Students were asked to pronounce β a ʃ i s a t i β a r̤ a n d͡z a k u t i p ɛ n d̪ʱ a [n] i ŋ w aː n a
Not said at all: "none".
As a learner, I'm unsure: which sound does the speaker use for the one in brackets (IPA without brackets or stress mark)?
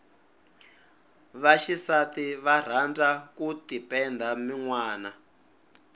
m